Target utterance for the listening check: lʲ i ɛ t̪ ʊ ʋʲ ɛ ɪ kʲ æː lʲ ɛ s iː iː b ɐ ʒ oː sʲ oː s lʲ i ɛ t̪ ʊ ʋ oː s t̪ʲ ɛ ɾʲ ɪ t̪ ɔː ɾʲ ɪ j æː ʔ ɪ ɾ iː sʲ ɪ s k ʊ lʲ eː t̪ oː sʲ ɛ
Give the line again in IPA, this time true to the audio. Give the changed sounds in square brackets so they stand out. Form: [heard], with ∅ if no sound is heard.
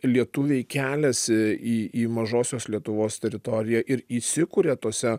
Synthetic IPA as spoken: lʲ i ɛ t̪ ʊ ʋʲ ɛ ɪ kʲ æː lʲ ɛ s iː iː [m] ɐ ʒ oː sʲ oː s lʲ i ɛ t̪ ʊ ʋ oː s t̪ʲ ɛ ɾʲ ɪ t̪ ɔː ɾʲ ɪ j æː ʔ ɪ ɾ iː sʲ ɪ [∅] k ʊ [ɾʲ] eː t̪ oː sʲ ɛ